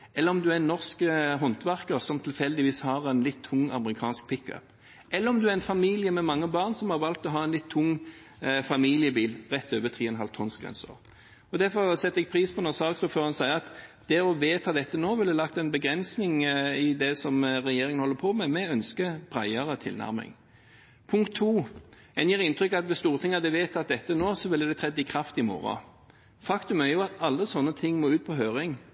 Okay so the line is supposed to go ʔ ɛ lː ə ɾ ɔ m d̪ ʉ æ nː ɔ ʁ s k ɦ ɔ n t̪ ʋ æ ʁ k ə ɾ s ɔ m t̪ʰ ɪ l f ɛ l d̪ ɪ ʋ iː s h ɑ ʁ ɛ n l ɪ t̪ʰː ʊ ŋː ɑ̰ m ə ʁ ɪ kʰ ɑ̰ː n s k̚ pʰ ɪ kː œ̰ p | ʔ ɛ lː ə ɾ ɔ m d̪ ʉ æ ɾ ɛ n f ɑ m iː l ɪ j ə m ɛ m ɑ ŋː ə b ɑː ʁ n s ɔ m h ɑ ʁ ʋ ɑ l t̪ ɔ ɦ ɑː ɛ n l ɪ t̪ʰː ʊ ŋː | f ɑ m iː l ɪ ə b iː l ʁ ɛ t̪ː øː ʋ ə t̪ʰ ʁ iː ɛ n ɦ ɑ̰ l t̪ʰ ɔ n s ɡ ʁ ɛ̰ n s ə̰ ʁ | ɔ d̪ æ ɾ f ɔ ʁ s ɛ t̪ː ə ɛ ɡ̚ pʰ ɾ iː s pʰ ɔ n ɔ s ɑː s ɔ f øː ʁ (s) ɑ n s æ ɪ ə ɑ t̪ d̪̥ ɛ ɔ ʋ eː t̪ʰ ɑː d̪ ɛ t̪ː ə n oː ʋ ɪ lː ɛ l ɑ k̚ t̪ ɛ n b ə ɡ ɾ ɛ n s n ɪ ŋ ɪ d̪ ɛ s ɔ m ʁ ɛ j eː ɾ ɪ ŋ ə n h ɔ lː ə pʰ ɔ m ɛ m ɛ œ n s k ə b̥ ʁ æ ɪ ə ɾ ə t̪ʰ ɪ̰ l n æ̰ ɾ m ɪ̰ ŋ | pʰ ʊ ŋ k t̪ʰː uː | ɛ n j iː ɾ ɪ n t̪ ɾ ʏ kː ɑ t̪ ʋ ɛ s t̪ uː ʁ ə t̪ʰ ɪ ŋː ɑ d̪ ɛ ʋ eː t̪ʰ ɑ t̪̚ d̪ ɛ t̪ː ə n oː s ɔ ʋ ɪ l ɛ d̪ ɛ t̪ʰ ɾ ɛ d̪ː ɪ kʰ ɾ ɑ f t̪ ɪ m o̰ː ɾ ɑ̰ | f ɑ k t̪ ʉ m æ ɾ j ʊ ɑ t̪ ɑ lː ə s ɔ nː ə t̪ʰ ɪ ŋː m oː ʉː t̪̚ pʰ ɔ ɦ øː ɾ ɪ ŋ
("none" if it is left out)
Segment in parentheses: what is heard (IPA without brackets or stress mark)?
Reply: h